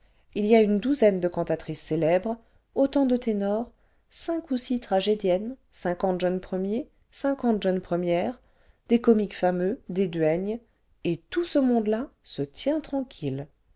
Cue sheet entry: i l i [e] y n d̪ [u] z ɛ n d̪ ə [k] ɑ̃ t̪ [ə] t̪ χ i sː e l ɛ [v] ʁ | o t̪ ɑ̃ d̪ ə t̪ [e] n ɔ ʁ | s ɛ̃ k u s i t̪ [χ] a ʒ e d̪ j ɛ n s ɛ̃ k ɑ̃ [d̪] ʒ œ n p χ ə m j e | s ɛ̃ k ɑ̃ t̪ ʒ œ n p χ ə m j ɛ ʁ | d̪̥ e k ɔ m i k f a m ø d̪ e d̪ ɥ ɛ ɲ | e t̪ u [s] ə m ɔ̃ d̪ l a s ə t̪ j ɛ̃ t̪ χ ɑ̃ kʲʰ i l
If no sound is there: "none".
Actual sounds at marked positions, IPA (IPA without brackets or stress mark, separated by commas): a, u, k, a, b, e, χ, t̪, s